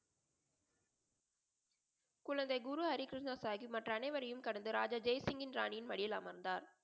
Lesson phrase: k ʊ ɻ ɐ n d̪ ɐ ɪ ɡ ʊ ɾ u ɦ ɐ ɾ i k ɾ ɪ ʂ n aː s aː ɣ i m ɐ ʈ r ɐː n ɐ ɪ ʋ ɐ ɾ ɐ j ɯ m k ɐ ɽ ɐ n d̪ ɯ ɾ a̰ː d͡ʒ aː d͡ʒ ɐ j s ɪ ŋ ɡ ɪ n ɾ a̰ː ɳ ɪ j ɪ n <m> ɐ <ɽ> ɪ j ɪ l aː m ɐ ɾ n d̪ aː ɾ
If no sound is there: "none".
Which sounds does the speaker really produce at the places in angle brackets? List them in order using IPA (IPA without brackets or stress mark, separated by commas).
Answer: m, ɽ